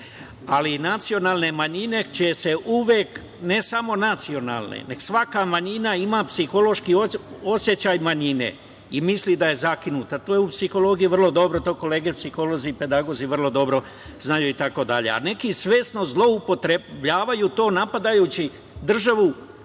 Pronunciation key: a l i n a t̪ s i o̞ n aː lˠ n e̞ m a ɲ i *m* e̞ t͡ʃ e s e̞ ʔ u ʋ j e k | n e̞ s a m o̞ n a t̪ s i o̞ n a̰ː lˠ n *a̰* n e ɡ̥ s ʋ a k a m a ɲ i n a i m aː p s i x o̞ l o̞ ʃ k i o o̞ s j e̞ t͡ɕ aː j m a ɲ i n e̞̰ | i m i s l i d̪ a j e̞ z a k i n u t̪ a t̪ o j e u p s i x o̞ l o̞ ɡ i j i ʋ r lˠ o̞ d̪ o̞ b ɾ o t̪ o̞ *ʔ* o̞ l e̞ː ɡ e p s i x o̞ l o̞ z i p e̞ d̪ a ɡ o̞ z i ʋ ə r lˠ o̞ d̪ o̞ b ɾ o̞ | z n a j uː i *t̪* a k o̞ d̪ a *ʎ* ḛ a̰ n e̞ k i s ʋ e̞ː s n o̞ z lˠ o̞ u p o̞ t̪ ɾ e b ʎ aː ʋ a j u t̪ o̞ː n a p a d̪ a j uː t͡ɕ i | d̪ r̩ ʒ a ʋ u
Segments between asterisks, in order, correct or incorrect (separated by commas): incorrect, incorrect, incorrect, correct, correct